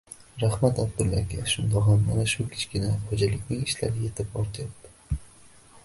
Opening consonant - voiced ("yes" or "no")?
yes